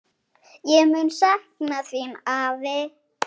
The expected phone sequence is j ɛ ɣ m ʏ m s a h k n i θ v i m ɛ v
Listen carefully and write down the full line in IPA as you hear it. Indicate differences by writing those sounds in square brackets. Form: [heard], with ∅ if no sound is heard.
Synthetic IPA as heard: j ɛ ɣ m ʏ [n] s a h k n [a] θ v i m [a] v